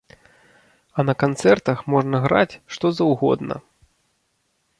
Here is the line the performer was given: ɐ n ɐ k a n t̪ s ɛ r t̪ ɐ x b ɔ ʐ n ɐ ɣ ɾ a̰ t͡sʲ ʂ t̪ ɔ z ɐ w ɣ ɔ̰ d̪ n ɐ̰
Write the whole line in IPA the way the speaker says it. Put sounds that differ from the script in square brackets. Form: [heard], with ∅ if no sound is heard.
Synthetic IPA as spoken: ɐ n ɐ k a n t̪ s ɛ r t̪ ɐ x [m] ɔ ʐ n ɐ ɣ ɾ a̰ t͡sʲ ʂ t̪ ɔ z ɐ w ɣ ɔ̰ d̪ n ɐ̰